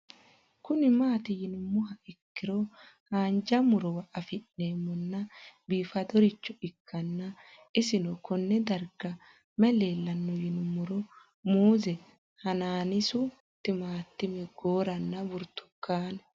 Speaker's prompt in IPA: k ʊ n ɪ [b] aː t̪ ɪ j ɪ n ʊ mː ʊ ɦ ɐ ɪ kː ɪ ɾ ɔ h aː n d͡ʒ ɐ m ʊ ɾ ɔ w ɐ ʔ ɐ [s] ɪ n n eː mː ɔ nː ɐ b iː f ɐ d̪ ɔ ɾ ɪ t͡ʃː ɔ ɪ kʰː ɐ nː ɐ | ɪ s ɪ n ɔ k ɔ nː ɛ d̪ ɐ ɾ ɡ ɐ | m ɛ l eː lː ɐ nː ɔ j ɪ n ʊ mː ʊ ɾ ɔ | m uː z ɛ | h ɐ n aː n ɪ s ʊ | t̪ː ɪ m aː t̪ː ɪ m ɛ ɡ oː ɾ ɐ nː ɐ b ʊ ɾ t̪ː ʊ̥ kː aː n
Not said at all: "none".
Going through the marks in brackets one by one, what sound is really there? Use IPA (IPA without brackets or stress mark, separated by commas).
m, f